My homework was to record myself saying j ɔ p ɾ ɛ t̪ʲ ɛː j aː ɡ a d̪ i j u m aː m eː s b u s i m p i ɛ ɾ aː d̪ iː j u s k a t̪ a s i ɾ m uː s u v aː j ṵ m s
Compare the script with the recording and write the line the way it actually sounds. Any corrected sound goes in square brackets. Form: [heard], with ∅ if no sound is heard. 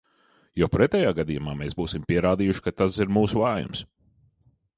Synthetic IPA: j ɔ p ɾ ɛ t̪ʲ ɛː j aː ɡ a d̪ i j u m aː m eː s b [uː] s i m p i ɛ ɾ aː d̪ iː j u [ʃ] k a t̪ a s i ɾ m uː s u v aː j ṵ m s